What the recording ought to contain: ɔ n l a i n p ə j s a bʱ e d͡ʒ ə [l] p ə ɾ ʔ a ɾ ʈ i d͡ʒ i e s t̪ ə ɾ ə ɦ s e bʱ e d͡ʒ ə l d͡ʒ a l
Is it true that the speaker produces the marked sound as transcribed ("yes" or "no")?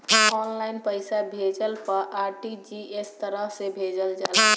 yes